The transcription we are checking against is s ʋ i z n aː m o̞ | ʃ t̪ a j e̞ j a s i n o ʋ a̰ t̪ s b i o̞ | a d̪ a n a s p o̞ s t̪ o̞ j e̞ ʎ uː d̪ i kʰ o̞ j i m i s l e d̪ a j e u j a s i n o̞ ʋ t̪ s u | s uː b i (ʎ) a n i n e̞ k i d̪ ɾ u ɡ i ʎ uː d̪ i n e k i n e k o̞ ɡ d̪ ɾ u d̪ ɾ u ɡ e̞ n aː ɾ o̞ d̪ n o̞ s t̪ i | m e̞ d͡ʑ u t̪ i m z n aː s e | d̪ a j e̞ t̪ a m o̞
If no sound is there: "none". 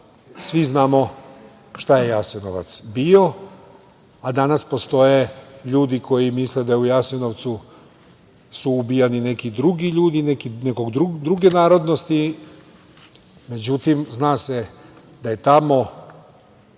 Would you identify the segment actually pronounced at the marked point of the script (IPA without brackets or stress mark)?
j